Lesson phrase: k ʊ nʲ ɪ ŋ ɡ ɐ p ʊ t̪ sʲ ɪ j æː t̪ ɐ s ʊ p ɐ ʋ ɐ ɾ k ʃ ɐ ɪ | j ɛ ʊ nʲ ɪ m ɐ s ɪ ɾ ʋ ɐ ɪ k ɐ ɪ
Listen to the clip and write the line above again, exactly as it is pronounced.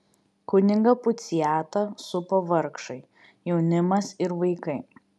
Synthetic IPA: k ʊ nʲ ɪ ŋ ɡ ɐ p ʊ t̪ sʲ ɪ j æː t̪ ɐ s ʊ p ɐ ʋ ɐ ɾ k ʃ ɐ ɪ | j ɛ ʊ nʲ ɪ m ɐ s ɪ ɾ ʋ ɐ ɪ k ɐ ɪ